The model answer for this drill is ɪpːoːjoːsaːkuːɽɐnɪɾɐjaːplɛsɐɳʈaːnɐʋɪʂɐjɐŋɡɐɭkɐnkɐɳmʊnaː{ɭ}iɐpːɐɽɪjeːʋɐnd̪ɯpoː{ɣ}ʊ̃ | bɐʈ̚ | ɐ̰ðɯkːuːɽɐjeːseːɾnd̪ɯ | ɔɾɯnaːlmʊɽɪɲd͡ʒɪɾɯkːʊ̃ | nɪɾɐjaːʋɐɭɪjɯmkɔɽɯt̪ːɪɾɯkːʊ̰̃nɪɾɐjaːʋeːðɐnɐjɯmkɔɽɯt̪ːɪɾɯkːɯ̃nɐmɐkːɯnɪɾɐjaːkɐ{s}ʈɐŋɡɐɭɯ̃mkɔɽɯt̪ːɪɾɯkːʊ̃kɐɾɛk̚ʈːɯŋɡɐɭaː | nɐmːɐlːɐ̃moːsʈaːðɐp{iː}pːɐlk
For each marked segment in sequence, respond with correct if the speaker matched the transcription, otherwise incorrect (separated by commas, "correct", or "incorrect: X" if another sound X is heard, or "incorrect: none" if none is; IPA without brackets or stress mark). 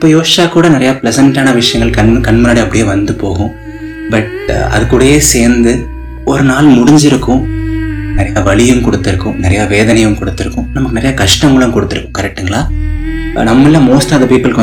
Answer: incorrect: ɽ, correct, incorrect: ʂ, correct